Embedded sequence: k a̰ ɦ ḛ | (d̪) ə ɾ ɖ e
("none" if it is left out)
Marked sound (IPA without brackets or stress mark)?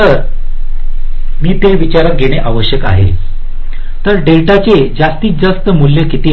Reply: t̪